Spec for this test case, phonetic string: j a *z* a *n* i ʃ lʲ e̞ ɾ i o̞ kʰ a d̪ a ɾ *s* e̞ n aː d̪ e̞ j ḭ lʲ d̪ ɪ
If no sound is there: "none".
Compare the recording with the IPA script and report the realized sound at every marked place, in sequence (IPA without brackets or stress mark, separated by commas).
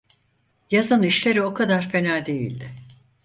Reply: z, n, f